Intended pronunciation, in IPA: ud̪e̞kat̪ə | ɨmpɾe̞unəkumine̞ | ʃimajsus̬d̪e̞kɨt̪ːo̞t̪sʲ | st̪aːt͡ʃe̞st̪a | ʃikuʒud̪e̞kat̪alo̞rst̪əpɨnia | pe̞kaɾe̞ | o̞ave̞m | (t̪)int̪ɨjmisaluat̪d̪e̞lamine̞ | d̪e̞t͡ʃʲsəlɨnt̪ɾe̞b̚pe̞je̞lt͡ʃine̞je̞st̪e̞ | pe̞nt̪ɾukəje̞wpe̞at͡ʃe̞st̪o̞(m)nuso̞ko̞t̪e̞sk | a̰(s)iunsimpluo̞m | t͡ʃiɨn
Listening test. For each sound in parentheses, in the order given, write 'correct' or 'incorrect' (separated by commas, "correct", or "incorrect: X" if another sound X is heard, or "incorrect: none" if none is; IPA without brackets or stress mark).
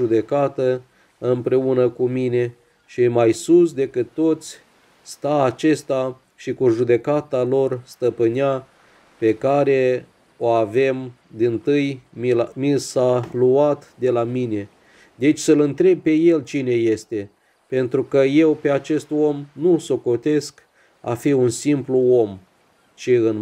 incorrect: d̪, correct, incorrect: f